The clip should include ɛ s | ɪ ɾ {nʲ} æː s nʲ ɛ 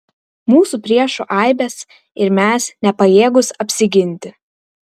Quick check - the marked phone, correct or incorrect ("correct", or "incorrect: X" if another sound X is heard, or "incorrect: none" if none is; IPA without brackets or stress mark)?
incorrect: mʲ